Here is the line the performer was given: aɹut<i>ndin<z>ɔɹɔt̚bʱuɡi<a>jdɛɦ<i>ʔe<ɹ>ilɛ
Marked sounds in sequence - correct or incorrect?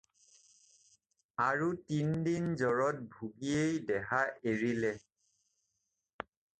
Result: correct, correct, incorrect, incorrect, correct

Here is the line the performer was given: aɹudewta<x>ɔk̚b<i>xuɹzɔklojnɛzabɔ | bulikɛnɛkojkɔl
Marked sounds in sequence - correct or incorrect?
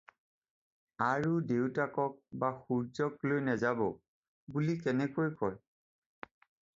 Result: incorrect, incorrect

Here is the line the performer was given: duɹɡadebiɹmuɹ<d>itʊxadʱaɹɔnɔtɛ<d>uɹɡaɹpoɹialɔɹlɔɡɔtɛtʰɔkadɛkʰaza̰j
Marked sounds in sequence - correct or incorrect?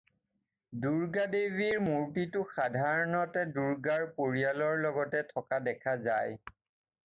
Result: incorrect, correct

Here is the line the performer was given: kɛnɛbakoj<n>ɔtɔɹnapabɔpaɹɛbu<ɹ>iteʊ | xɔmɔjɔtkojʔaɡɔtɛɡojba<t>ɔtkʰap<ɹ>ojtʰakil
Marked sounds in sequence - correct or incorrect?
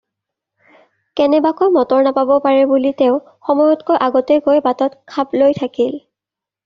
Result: incorrect, incorrect, correct, incorrect

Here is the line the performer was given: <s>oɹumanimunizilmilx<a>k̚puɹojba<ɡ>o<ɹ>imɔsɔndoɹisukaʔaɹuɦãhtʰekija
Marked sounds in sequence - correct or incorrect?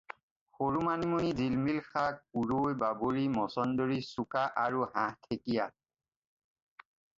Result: incorrect, correct, incorrect, correct

